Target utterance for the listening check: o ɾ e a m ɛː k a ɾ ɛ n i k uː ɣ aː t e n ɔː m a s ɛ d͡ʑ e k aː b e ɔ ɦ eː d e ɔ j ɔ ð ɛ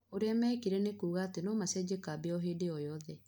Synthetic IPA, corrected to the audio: o ɾ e a m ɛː k i ɾ ɛ n e k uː ɣ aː t e n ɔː m a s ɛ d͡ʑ e k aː b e ɔ ɦ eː d e ɔ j ɔ ð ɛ